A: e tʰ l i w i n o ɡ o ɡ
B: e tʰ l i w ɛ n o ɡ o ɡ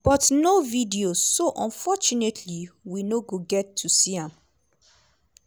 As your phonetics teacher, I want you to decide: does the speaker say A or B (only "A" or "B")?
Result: A